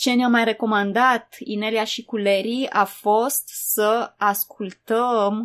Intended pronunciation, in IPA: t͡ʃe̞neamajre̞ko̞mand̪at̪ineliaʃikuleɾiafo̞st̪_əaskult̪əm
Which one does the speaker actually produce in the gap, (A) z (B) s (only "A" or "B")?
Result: B